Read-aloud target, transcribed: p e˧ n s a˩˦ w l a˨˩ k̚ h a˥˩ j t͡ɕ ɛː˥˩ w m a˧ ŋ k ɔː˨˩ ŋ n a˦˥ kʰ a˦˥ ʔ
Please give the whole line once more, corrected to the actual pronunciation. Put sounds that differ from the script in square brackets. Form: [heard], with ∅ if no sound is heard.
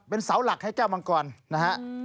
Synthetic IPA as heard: p e˧ n s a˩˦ w l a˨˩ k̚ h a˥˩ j t͡ɕ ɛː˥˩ w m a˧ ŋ k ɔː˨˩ [n] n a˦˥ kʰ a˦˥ ʔ